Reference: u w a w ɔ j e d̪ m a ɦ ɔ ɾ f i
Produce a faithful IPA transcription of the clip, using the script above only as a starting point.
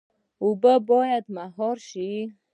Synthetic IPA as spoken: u b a b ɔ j a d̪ m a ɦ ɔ ɾ ʃ i